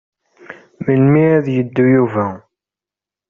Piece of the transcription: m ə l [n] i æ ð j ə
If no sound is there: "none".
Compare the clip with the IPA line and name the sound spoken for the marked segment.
m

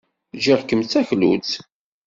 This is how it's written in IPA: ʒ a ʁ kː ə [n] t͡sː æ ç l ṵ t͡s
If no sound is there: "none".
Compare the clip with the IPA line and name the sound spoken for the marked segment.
m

